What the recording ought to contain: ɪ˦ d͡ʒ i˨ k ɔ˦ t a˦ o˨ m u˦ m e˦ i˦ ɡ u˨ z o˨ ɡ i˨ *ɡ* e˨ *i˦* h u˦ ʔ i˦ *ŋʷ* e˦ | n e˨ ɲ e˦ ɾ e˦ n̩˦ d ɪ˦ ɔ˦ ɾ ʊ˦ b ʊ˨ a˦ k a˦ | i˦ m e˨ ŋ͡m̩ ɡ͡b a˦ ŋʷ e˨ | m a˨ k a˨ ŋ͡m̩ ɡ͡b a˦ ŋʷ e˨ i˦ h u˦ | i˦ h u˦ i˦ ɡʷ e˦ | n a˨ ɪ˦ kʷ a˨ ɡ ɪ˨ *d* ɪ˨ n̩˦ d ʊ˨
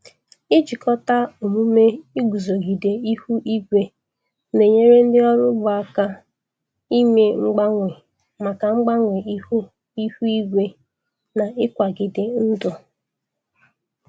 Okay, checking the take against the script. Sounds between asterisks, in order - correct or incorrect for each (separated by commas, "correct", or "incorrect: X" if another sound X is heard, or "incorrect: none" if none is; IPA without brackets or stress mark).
incorrect: d, correct, incorrect: ɡʷ, correct